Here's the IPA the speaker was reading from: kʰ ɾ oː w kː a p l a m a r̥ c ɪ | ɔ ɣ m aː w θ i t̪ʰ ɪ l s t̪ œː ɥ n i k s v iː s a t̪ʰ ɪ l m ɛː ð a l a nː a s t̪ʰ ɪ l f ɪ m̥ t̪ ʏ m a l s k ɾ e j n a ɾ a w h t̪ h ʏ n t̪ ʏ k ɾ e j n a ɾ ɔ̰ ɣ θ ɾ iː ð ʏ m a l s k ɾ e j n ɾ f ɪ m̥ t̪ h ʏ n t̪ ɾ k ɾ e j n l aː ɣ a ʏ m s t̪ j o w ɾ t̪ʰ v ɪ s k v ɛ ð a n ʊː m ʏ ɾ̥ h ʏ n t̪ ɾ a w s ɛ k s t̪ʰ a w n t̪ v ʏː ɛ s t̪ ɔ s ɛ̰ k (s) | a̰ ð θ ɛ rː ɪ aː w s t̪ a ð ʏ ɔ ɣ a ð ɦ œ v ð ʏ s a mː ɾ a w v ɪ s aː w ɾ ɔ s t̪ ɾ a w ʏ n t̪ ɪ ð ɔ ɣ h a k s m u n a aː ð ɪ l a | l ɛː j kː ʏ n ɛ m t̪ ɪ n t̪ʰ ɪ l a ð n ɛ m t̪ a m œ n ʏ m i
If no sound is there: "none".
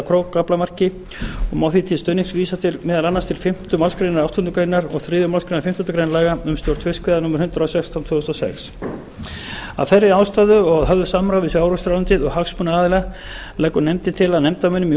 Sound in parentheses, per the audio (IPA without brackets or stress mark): s